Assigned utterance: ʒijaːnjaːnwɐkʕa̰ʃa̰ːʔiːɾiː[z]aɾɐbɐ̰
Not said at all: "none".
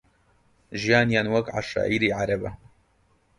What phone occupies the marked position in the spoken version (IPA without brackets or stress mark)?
ʕ